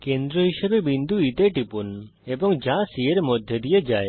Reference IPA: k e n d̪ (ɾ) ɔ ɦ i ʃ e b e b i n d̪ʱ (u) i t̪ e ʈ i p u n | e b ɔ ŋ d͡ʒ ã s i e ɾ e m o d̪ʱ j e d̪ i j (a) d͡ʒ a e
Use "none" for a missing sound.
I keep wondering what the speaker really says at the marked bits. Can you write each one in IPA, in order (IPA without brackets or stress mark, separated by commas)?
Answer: ɾ, u, e